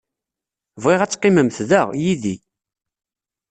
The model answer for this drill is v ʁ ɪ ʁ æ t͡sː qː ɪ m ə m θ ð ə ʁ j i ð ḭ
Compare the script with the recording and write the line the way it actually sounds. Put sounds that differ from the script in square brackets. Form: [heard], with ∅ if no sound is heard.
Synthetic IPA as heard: v ʁ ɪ ʁ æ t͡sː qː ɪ m ə m θ ð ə ʁ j i ð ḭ